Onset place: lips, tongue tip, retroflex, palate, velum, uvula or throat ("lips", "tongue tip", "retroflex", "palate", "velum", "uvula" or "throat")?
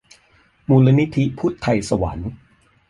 lips